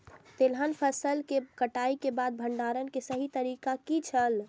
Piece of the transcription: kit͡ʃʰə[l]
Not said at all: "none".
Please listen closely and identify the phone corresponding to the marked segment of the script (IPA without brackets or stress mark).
l